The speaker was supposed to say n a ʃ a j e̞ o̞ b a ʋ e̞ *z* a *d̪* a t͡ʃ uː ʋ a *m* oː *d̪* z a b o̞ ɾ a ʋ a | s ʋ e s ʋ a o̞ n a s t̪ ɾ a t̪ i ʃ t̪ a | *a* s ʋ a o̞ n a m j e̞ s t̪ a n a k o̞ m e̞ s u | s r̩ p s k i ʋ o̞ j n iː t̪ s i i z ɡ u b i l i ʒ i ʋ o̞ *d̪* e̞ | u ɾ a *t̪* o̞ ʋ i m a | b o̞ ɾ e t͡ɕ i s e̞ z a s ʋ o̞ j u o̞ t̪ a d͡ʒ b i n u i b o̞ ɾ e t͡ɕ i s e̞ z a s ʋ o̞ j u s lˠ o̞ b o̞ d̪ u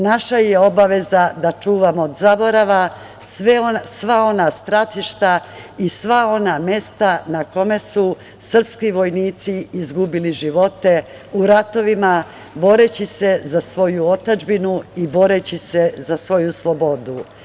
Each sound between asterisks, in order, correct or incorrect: correct, correct, correct, correct, incorrect, incorrect, correct

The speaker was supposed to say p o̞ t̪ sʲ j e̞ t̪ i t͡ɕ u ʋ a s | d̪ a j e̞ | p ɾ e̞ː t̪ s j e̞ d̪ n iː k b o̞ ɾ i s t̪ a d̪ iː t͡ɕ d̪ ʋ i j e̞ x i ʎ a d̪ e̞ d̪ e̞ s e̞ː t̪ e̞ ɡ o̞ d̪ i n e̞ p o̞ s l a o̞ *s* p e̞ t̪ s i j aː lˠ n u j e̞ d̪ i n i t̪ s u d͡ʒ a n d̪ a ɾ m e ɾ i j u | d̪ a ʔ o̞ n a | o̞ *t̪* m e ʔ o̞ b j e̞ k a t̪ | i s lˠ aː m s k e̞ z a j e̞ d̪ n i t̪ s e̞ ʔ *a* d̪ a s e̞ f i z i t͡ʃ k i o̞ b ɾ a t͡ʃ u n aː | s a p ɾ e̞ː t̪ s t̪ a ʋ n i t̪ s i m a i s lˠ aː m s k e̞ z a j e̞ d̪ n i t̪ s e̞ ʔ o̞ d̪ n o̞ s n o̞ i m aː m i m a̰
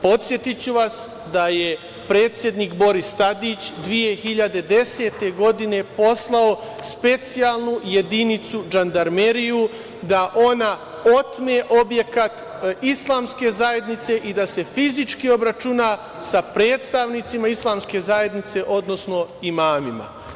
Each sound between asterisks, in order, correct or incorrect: correct, correct, incorrect

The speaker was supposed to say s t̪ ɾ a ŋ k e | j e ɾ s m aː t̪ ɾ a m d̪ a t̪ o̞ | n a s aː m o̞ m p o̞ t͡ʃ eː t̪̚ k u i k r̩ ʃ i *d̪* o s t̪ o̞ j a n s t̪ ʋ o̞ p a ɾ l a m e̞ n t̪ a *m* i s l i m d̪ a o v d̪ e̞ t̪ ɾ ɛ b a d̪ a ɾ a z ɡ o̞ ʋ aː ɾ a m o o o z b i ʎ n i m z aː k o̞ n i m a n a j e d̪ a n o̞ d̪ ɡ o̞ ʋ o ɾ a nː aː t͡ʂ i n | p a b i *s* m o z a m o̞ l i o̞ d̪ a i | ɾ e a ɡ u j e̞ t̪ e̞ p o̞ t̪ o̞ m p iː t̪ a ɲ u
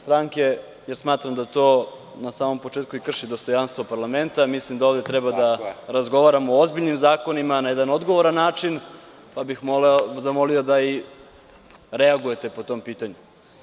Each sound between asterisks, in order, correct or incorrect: correct, correct, incorrect

